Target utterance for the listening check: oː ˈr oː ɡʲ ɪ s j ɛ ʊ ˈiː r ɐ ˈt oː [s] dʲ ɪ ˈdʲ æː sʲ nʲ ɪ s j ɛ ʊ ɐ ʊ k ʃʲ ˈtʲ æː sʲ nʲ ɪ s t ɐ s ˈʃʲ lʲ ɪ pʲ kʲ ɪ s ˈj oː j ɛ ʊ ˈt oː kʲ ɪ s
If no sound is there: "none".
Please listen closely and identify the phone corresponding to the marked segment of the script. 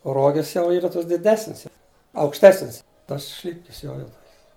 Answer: s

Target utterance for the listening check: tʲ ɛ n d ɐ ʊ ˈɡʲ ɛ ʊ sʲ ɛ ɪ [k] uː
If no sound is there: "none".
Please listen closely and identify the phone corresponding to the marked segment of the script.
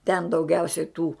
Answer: t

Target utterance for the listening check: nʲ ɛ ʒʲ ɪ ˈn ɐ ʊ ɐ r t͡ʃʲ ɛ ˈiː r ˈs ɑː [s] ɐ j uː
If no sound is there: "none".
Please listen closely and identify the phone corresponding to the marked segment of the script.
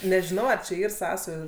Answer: s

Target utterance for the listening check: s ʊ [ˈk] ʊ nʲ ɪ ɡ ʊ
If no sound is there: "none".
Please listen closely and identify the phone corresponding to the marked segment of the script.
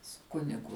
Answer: k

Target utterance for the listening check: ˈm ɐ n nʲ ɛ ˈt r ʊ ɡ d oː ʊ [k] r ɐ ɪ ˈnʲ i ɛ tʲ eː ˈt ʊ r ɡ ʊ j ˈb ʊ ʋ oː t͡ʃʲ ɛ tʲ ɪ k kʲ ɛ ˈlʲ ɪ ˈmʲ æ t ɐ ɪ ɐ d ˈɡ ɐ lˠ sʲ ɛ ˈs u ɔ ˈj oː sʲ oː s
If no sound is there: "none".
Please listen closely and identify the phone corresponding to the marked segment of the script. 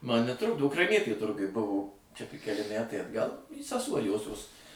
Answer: k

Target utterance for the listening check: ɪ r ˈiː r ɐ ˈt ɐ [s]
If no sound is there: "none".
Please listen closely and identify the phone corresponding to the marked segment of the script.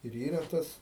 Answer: s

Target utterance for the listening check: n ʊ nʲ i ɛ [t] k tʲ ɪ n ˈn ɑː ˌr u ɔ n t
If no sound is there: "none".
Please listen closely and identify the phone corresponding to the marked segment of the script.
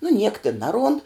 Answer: none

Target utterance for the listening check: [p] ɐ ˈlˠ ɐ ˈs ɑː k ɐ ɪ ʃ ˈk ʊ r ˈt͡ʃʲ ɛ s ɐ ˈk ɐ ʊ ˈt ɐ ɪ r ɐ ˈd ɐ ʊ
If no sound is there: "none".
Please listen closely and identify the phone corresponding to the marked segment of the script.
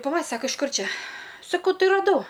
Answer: p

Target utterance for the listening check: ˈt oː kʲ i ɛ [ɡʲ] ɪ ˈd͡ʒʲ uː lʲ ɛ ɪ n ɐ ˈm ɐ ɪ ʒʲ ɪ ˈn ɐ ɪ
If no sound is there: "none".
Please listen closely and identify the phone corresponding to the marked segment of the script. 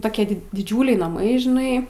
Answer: dʲ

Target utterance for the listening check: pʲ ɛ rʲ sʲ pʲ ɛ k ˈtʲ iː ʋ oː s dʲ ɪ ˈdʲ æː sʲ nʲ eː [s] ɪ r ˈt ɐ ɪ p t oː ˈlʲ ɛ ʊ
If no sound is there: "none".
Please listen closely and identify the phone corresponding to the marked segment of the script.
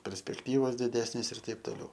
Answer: s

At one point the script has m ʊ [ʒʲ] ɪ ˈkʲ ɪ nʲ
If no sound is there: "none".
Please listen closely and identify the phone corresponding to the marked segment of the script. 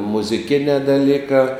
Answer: zʲ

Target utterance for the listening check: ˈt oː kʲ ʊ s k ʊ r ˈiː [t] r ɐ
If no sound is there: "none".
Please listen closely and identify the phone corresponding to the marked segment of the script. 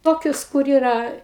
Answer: none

